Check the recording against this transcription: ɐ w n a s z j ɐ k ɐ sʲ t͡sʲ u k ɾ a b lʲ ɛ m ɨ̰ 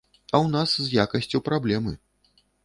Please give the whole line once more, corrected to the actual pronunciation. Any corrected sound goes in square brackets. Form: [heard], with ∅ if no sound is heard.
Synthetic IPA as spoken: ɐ w n a s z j [a] k ɐ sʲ t͡sʲ u [p] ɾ a b lʲ ɛ m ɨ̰